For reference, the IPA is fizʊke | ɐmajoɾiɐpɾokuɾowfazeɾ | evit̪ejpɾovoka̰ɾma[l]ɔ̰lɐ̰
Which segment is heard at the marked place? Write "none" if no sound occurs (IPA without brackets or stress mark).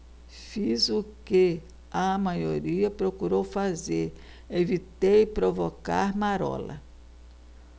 ɾ